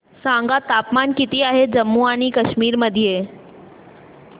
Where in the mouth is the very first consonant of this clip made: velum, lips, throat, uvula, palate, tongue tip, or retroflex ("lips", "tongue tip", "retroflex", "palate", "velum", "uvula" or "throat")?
tongue tip